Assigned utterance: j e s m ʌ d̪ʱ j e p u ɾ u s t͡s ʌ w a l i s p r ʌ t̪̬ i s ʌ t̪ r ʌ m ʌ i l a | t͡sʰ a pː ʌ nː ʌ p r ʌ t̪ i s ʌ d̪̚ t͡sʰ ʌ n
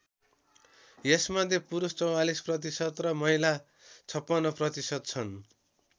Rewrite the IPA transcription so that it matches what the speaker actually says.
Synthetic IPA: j e s m ʌ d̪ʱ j e p u ɾ u s t͡s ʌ w a l i s p r ʌ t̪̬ i s ʌ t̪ r ʌ m ʌ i l a | t͡sʰ ʌ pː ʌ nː ʌ p r ʌ t̪ i s ʌ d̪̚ t͡sʰ ʌ n